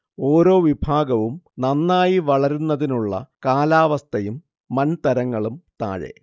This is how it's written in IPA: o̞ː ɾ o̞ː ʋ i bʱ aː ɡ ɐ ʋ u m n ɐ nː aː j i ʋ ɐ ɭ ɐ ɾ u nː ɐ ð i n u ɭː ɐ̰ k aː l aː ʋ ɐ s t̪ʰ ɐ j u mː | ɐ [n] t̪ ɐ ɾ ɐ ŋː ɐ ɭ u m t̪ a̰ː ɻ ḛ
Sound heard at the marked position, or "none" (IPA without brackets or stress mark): n